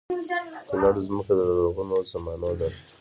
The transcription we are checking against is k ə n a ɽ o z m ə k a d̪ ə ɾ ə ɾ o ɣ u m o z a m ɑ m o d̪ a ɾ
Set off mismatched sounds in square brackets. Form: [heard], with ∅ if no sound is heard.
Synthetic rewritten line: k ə n a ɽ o z m ə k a d̪ ə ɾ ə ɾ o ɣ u [n] o z a m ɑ [n] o d̪ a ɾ